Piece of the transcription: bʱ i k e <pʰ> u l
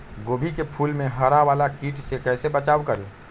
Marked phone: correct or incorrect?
correct